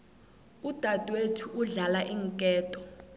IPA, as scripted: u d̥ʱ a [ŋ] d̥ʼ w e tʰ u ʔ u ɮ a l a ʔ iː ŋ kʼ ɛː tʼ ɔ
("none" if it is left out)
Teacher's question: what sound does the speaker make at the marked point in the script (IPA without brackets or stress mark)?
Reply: none